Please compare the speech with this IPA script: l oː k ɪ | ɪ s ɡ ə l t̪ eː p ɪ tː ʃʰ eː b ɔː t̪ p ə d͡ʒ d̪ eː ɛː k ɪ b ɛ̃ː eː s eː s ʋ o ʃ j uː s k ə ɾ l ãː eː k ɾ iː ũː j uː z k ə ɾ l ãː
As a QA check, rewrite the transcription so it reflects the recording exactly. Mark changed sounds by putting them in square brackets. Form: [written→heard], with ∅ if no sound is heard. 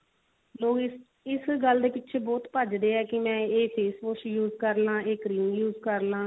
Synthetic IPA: l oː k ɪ | ɪ s ɡ ə l [t̪→d̪] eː p ɪ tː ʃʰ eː b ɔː t̪ p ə d͡ʒ d̪ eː ɛː k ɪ [b→m] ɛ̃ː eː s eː s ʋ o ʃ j uː [s→z] k ə ɾ l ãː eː k ɾ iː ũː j uː z k ə ɾ l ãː